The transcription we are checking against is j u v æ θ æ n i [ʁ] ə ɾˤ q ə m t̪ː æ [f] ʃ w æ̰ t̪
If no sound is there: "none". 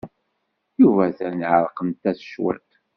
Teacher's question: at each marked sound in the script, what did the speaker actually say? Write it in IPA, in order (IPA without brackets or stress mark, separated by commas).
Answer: ʕ, θ